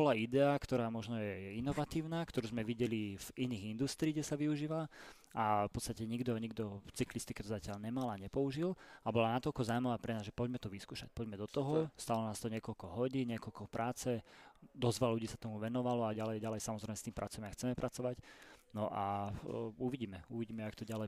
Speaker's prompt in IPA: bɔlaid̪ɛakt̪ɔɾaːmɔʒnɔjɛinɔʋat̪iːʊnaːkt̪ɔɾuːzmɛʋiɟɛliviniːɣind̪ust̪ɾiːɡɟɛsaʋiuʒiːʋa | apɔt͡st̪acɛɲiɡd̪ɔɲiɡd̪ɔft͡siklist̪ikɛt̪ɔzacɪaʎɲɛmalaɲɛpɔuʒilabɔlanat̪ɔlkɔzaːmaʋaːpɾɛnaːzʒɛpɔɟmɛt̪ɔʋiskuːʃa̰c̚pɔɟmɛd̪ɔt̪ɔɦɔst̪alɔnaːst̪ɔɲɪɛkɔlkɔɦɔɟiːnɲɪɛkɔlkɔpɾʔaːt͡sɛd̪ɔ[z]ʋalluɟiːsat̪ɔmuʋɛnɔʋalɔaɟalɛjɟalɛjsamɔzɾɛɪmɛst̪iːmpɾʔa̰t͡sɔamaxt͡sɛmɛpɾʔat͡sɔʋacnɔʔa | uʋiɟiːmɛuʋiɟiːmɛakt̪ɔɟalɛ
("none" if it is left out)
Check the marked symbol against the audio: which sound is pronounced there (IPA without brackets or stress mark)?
z